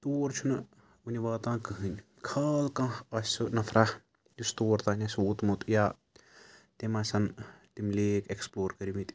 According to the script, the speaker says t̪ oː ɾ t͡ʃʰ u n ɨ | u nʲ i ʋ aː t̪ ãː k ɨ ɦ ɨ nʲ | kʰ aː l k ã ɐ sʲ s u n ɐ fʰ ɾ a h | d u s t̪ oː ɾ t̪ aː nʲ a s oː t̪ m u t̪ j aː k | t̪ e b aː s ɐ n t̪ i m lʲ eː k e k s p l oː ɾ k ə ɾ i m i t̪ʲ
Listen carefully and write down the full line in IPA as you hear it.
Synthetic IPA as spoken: t̪ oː ɾ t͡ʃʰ u n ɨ | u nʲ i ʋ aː t̪ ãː k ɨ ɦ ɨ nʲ | kʰ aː l k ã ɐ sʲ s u n ɐ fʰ ɾ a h | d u s t̪ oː ɾ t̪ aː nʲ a s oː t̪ m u t̪ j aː | t̪ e m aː s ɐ n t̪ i m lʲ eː k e k s p l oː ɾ k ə ɾ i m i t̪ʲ